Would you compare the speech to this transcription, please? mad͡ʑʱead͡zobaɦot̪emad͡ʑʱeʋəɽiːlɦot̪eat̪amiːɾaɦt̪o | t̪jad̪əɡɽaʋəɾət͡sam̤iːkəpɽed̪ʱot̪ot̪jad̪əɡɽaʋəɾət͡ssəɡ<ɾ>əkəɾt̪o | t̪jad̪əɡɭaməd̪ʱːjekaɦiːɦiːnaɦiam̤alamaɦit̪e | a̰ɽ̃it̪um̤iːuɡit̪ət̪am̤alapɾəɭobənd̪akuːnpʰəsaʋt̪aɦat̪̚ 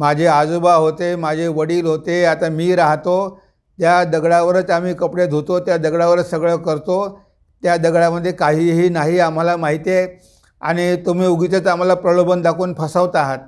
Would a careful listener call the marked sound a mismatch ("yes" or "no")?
yes